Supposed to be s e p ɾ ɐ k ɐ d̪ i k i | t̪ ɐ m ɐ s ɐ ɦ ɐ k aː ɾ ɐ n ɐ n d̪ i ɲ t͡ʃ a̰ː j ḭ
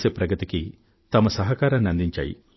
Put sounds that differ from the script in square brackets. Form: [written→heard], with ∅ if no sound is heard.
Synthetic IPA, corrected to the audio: s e p ɾ ɐ [k→ɡ] ɐ [d̪→t̪] i k i | t̪ ɐ m ɐ s ɐ ɦ ɐ k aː ɾ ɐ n ɐ n d̪ i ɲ t͡ʃ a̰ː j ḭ